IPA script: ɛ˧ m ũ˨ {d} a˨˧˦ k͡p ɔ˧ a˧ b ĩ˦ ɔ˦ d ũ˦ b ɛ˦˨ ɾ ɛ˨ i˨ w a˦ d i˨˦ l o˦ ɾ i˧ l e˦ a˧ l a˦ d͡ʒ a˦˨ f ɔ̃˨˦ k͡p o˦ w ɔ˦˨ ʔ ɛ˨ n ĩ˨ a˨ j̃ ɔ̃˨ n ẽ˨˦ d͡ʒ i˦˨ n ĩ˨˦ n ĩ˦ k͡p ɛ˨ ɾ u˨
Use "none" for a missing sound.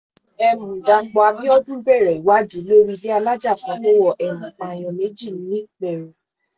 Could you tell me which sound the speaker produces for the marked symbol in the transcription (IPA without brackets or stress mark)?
d